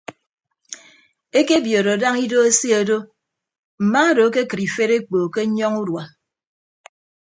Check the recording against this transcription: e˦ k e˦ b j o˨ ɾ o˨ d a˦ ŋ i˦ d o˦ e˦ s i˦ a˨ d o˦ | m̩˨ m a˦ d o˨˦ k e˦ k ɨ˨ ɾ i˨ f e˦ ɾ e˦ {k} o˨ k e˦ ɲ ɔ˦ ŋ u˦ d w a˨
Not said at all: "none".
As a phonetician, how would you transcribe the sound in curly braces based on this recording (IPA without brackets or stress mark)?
k͡p